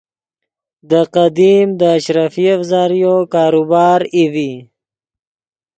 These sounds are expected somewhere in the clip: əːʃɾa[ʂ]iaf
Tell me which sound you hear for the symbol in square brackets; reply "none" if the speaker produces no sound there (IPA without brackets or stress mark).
f